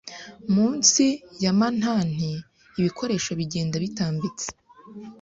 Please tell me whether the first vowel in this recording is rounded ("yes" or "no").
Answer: yes